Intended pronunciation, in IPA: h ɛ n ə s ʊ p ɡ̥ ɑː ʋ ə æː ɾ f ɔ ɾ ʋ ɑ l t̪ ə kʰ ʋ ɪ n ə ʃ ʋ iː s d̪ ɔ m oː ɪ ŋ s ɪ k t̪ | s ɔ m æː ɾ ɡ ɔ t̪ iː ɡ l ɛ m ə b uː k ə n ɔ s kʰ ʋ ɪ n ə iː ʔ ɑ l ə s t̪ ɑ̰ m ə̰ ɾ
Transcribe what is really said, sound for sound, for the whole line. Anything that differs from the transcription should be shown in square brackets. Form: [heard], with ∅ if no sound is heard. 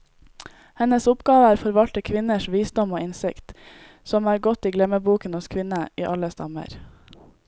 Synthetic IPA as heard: h ɛ n ə s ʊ p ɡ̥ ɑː ʋ ə æː ɾ f ɔ ɾ ʋ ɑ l t̪ ə kʰ ʋ ɪ n ə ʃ ʋ iː s d̪ ɔ m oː ɪ [n] s ɪ k t̪ | s ɔ m æː ɾ ɡ ɔ t̪ iː ɡ l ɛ m ə b uː k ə n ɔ s kʰ ʋ ɪ n ə iː ʔ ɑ l ə s t̪ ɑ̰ m ə̰ ɾ